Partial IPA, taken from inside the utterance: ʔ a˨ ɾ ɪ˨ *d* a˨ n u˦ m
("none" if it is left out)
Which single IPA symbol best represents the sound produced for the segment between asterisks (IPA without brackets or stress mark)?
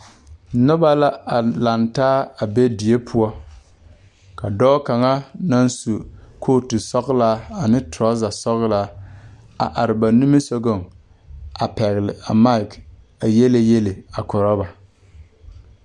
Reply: b